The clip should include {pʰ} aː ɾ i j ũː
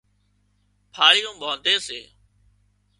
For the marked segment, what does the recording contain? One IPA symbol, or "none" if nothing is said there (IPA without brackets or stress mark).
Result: pʰ